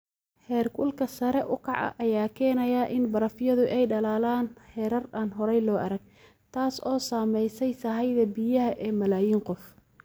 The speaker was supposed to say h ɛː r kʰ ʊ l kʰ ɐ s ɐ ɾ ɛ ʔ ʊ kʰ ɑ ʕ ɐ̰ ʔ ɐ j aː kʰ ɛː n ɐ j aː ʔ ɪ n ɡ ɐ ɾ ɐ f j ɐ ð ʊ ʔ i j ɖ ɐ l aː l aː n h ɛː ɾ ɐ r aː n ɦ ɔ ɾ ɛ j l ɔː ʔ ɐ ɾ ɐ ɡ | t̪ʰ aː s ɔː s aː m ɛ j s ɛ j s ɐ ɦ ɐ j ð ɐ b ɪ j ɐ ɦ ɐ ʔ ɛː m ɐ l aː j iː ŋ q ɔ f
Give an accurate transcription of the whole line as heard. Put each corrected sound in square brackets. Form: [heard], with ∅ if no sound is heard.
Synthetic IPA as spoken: h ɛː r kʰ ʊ l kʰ ɐ s ɐ ɾ ɛ ʔ ʊ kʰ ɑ ʕ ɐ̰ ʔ ɐ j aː kʰ ɛː n ɐ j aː ʔ ɪ n [b] ɐ ɾ ɐ f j ɐ ð ʊ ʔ [ɛ] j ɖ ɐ l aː l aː n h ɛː ɾ ɐ r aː n ɦ ɔ ɾ ɛ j l ɔː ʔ ɐ ɾ ɐ ɡ | t̪ʰ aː s ɔː s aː m ɛ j s ɛ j s ɐ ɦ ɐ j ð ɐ b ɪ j ɐ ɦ ɐ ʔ ɛː m ɐ l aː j iː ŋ q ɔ f